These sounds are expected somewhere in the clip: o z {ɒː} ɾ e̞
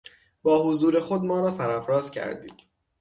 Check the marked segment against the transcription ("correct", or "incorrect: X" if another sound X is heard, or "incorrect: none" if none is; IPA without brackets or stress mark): incorrect: uː